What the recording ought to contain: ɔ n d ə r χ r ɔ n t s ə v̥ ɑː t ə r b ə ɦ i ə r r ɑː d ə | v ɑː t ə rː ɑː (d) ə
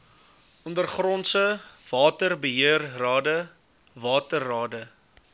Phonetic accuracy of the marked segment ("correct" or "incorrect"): correct